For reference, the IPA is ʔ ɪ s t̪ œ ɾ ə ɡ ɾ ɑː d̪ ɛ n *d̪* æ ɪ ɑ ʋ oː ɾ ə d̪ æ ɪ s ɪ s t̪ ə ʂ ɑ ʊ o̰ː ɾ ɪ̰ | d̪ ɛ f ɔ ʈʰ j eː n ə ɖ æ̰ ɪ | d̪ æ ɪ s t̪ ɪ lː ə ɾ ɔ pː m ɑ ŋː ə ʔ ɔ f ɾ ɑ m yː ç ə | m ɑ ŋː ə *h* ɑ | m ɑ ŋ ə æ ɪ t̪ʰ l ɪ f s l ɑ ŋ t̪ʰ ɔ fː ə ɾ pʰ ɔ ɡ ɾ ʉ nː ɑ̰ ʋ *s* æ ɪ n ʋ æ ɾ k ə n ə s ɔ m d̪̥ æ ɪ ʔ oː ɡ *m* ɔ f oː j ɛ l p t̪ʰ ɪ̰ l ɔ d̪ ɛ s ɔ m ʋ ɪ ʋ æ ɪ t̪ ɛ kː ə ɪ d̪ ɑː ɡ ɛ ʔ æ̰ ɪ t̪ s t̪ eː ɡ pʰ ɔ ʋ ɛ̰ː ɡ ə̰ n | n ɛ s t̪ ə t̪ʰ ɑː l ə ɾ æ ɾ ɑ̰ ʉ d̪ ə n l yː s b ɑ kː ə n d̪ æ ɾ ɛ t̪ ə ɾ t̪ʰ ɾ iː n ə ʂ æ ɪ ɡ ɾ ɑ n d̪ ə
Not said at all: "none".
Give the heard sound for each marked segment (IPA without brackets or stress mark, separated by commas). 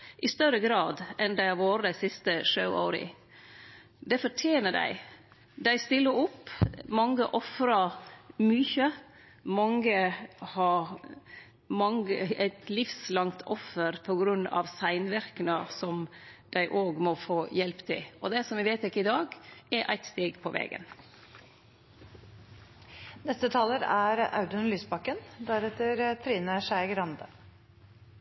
d̪, h, s, m